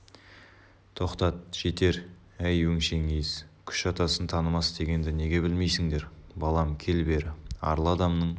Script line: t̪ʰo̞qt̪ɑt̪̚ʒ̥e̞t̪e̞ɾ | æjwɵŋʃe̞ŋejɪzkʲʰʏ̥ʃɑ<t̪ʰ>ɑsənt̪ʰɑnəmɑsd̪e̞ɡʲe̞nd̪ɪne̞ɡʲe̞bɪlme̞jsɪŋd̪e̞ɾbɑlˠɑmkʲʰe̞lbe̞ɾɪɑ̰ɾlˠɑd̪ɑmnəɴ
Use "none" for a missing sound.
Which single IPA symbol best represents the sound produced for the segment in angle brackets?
t̪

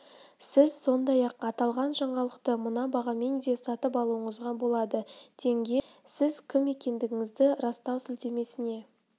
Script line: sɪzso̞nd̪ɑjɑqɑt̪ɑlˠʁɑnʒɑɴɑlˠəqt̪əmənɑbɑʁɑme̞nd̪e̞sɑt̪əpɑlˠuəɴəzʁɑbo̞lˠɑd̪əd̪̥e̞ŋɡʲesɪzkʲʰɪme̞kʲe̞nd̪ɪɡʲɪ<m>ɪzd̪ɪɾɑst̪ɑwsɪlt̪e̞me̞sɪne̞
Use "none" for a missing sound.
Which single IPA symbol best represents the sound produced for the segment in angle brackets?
ŋ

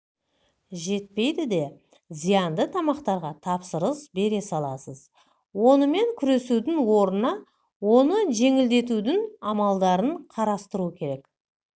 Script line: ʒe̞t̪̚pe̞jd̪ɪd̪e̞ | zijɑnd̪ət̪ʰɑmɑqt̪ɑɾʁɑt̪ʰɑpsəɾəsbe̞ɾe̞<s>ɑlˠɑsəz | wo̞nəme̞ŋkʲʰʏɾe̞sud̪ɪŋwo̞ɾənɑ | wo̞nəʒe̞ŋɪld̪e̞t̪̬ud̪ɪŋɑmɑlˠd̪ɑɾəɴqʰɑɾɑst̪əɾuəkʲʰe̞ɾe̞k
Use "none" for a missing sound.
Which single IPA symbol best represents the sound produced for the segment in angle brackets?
s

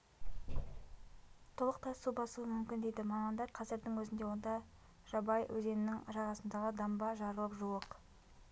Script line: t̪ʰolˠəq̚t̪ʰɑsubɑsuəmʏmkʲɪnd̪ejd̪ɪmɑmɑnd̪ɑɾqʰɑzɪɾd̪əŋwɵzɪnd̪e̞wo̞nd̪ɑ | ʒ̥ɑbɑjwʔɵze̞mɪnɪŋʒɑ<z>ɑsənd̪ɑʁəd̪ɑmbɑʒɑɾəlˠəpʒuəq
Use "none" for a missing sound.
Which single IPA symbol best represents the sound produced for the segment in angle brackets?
ʁ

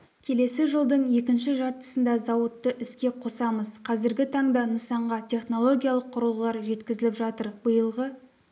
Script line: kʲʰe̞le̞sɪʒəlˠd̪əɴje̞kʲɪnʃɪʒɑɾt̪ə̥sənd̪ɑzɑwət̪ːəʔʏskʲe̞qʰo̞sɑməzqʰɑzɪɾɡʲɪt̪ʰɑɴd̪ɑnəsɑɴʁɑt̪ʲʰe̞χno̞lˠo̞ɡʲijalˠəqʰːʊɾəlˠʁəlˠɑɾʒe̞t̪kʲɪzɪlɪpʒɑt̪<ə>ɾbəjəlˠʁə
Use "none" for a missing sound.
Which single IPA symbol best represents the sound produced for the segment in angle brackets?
ə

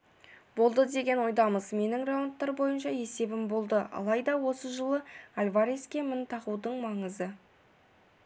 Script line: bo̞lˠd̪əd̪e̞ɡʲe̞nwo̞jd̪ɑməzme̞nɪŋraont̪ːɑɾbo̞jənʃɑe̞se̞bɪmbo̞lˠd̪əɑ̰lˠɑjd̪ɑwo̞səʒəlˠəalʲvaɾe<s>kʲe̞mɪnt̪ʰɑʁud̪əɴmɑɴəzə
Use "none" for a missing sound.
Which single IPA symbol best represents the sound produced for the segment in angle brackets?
s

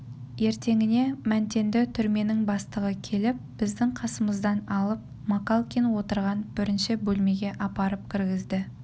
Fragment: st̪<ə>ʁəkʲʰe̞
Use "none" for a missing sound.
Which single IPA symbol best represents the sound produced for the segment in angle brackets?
ə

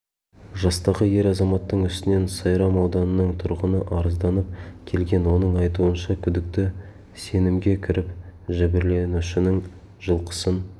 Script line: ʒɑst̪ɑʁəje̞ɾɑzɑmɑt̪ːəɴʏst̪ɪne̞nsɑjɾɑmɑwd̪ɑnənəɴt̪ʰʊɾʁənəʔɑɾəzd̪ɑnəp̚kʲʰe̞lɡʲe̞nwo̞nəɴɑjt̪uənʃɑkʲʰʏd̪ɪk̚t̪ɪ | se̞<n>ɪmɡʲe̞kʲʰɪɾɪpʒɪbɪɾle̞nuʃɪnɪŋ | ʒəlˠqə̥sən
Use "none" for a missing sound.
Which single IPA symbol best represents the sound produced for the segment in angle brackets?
n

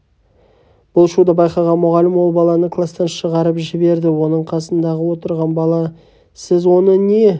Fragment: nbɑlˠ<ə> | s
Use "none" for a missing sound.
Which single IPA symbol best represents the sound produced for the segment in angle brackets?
ɑ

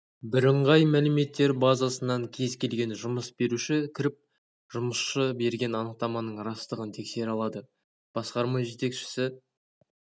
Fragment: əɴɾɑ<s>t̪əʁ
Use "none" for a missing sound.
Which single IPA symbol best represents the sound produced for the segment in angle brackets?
s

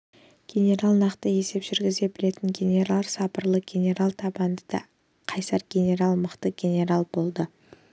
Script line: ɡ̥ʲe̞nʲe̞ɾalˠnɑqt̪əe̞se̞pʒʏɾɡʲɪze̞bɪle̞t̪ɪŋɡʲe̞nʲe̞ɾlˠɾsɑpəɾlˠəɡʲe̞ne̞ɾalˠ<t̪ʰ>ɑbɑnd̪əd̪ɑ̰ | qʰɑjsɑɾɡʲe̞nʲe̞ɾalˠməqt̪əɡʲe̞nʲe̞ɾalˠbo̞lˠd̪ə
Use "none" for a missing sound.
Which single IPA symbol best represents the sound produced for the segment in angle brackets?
t̪ʰ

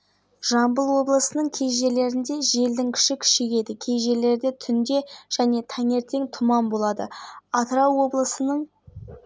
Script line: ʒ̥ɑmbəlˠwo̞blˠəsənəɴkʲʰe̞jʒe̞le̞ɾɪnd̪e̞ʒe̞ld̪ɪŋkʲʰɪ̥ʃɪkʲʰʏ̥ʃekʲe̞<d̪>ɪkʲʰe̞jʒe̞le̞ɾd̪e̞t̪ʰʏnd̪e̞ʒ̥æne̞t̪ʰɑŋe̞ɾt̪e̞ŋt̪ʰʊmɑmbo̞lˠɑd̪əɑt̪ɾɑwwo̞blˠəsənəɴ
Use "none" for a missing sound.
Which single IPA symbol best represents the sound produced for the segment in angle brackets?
d̪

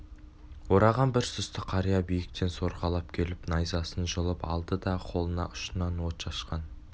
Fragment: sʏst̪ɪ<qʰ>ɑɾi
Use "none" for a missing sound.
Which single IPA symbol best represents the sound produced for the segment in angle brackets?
qʰ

